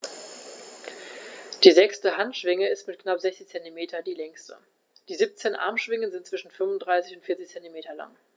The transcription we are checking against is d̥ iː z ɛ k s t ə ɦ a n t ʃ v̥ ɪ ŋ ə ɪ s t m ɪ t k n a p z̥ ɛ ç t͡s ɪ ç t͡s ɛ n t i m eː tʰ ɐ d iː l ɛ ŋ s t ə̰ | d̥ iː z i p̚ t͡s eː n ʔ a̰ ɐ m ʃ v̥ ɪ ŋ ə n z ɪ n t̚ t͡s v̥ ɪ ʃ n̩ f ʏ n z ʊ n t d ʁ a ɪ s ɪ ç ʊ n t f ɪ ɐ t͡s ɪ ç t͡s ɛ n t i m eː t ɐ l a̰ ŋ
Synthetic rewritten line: d̥ iː z ɛ k s t ə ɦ a n t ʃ v̥ ɪ ŋ ə ɪ s t m ɪ t k n a p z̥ ɛ ç t͡s ɪ ç t͡s ɛ n t i m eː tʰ ɐ d iː l ɛ ŋ s t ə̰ | d̥ iː z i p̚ t͡s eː n ʔ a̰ ɐ m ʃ v̥ ɪ ŋ ə n z ɪ n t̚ t͡s v̥ ɪ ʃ n̩ f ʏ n v ʊ n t d ʁ a ɪ s ɪ ç ʊ n t f ɪ ɐ t͡s ɪ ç t͡s ɛ n t i m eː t ɐ l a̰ ŋ

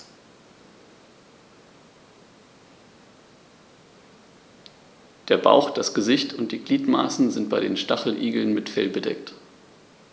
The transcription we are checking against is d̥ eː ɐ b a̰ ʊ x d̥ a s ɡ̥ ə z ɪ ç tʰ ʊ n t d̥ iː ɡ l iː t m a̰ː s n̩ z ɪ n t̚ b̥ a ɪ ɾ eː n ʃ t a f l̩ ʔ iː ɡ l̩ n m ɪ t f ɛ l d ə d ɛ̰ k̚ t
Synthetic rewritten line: d̥ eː ɐ b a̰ ʊ x d̥ a s ɡ̥ ə z ɪ ç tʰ ʊ n t d̥ iː ɡ l iː t m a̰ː s n̩ z ɪ n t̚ b̥ a ɪ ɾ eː n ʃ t a χ l̩ ʔ iː ɡ l̩ n m ɪ t f ɛ l b ə d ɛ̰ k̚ t

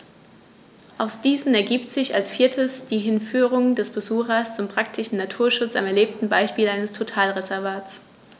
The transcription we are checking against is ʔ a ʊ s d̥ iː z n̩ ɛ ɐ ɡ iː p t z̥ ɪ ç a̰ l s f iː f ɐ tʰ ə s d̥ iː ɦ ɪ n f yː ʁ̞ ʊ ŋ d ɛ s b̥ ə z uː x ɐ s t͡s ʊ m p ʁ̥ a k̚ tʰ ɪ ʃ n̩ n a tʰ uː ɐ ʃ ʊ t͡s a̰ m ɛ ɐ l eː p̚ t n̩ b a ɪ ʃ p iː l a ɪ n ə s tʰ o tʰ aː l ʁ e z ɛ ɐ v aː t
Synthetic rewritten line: ʔ a ʊ s d̥ iː z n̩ ɛ ɐ ɡ iː p t z̥ ɪ ç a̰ l s f iː ɐ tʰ ə s d̥ iː ɦ ɪ n f yː ʁ̞ ʊ ŋ d ɛ s b̥ ə z uː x ɐ s t͡s ʊ m p ʁ̥ a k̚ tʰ ɪ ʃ n̩ n a tʰ uː ɐ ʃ ʊ t͡s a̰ m ɛ ɐ l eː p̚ t n̩ b a ɪ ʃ p iː l a ɪ n ə s tʰ o tʰ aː l ʁ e z ɛ ɐ v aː t͡s

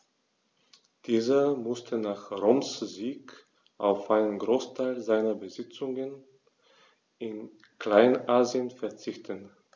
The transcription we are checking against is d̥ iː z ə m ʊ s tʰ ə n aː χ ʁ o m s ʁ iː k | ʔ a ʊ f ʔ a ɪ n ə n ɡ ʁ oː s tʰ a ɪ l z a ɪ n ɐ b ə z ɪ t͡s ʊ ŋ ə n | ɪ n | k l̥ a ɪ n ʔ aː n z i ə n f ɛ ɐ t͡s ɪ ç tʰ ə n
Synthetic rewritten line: d̥ iː z ɐ m ʊ s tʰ ə n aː χ ʁ o m s z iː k | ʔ a ʊ f ʔ a ɪ n ə n ɡ ʁ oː s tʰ a ɪ l z a ɪ n ɐ b ə z ɪ t͡s ʊ ŋ ə n | ɪ n | k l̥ a ɪ n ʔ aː z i ə n f ɛ ɐ t͡s ɪ ç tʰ ə n

